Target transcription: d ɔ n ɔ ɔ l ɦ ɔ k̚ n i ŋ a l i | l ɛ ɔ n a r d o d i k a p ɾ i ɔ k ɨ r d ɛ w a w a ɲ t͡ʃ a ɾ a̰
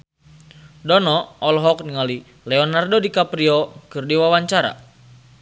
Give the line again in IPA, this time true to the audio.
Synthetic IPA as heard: d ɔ n ɔ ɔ l ɦ ɔ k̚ n i ŋ a l i | l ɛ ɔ n a r d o d i k a p ɾ i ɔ k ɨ r d i w a w a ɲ t͡ʃ a ɾ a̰